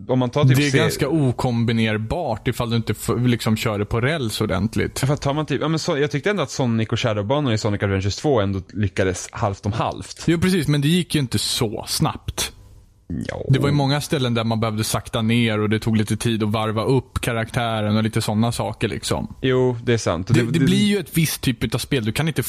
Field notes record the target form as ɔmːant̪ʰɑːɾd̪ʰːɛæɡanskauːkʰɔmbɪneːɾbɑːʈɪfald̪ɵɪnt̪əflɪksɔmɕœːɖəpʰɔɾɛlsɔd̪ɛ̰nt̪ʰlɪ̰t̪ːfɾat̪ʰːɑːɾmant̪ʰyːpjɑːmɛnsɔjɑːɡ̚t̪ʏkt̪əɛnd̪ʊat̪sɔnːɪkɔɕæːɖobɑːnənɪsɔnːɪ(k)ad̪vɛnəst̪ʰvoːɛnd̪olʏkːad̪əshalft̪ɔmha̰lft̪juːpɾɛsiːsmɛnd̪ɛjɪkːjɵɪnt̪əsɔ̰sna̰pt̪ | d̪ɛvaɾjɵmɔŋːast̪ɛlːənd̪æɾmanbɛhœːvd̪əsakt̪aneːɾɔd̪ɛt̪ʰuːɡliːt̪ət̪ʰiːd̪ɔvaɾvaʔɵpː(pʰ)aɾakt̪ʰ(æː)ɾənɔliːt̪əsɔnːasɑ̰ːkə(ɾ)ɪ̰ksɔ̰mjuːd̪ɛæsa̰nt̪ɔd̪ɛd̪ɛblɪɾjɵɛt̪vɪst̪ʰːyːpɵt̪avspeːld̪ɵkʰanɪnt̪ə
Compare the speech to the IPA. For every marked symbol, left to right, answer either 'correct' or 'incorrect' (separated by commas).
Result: correct, incorrect, correct, incorrect